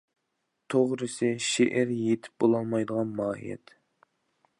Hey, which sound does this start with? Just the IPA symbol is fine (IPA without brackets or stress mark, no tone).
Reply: t̪ʰ